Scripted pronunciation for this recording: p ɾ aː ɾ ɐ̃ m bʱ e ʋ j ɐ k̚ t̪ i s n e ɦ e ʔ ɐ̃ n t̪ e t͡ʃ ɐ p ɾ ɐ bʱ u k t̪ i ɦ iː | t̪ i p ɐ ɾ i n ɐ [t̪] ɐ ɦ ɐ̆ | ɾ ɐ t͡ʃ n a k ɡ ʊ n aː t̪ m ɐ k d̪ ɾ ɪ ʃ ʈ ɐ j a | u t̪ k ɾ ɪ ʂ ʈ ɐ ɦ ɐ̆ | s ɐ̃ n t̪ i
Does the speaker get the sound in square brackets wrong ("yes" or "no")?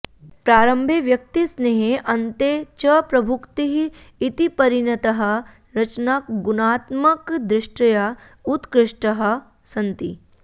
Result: no